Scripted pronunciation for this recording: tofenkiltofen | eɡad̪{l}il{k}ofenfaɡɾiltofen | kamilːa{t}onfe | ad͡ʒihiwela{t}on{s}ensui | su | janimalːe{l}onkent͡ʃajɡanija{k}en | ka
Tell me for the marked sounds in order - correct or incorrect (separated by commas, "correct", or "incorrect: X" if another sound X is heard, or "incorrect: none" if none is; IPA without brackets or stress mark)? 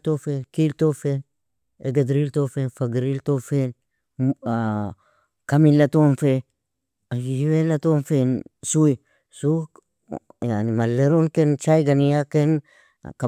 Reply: incorrect: ɾ, incorrect: t, correct, correct, incorrect: f, incorrect: ɾ, correct